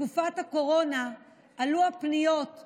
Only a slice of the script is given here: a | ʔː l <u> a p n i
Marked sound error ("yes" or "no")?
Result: no